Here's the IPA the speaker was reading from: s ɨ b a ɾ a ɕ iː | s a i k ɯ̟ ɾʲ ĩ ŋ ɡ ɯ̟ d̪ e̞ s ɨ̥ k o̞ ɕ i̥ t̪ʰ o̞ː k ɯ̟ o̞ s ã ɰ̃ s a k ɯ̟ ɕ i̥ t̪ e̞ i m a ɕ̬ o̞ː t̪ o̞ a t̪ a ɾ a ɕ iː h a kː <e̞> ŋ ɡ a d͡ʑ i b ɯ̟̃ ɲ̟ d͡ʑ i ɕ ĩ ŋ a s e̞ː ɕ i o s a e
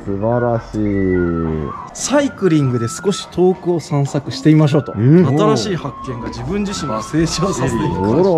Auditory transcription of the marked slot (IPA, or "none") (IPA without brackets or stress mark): ẽ̞